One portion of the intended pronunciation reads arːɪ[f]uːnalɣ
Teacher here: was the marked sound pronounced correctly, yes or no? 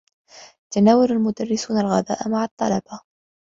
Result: no